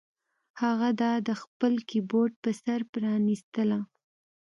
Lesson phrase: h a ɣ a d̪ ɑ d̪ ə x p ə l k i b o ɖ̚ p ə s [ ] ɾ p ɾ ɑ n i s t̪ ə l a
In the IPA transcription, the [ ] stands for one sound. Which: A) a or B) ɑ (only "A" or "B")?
A